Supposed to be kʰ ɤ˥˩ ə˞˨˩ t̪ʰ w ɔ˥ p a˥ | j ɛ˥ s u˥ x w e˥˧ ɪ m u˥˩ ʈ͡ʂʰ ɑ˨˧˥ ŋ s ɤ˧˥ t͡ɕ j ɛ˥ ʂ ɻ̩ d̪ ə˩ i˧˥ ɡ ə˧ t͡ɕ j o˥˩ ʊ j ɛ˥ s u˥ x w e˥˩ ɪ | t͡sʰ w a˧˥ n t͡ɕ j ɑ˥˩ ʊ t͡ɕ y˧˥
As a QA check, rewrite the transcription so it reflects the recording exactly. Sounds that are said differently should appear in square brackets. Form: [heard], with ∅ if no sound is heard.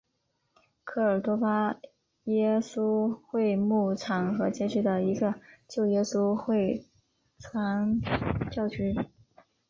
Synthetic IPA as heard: kʰ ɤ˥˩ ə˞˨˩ [t̪] w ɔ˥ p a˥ | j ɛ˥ s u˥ x w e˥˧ ɪ m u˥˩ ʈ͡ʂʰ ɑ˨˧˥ ŋ [x] ɤ˧˥ t͡ɕ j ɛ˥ [ʈ͡ʂ] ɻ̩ d̪ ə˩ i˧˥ ɡ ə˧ t͡ɕ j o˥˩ ʊ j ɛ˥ s u˥ x w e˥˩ ɪ | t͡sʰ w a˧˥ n t͡ɕ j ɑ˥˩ ʊ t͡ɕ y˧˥